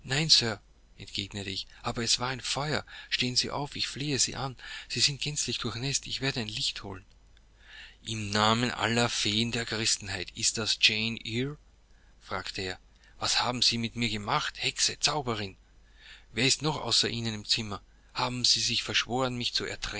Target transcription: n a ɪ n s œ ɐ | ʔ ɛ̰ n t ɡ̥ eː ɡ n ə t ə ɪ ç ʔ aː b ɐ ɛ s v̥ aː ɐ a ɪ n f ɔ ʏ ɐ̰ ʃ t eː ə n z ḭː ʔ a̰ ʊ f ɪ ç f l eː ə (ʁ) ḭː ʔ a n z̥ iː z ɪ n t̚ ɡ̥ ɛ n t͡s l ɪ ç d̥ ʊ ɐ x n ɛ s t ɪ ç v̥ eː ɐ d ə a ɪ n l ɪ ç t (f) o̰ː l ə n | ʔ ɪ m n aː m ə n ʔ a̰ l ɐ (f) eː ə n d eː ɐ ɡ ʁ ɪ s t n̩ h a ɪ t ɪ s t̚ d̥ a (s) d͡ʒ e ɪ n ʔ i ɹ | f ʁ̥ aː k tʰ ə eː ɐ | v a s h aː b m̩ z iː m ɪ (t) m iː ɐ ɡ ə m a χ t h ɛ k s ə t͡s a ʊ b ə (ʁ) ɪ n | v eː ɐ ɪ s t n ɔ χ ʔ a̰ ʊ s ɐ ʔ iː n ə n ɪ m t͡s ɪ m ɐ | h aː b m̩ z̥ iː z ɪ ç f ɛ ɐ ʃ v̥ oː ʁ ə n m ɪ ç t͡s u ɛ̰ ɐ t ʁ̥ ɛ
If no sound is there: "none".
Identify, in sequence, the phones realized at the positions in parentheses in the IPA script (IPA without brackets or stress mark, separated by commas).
z, h, f, s, t, ʁ